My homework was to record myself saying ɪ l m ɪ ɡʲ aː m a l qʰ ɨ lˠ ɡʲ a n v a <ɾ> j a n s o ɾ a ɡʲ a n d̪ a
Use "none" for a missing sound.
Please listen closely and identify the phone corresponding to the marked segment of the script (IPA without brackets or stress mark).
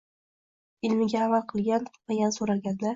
none